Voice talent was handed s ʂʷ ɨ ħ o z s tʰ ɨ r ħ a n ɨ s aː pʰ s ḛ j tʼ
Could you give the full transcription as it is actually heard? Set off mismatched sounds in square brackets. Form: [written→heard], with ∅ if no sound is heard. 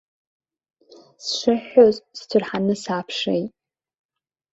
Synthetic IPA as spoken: s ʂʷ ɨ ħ o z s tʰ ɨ r ħ a n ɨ s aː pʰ [s→ʂ] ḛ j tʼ